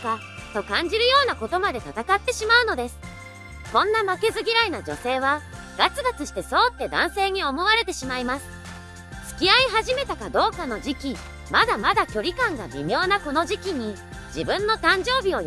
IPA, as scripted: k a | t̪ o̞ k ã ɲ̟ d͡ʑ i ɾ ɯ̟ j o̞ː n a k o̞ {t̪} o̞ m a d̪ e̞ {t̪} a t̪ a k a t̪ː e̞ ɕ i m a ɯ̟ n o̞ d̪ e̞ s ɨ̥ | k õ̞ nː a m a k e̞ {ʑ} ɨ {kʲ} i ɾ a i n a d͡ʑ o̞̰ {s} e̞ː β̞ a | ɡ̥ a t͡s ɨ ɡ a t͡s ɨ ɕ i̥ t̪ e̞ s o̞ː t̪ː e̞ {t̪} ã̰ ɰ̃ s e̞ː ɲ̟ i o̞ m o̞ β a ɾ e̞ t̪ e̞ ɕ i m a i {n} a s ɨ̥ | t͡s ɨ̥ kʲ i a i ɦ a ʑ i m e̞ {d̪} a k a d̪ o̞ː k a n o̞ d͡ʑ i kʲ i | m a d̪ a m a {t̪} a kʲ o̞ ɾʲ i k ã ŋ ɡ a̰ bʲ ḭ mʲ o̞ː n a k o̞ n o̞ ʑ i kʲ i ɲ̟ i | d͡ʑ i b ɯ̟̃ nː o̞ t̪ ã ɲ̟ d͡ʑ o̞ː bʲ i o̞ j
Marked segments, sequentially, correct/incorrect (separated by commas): correct, correct, incorrect, incorrect, correct, incorrect, incorrect, incorrect, incorrect